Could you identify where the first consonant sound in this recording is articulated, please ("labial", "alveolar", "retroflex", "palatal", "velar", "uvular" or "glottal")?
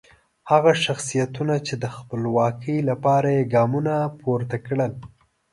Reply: glottal